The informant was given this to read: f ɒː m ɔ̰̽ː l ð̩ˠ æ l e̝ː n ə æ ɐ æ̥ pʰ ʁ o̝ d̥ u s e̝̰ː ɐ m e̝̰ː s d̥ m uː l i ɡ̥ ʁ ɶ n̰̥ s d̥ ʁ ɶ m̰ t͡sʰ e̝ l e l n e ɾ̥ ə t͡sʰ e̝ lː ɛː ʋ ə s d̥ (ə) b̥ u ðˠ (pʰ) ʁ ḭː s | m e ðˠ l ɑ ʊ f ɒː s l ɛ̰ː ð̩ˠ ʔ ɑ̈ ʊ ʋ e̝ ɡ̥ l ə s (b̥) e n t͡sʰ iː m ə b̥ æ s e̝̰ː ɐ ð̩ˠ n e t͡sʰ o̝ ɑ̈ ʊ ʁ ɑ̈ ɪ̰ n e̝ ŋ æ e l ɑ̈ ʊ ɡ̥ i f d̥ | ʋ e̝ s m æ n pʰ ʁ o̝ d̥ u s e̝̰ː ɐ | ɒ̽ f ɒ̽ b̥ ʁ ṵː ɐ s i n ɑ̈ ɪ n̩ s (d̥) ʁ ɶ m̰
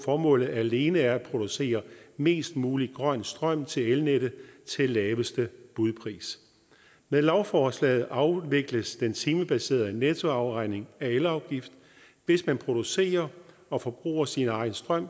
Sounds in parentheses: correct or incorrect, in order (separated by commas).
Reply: correct, correct, incorrect, correct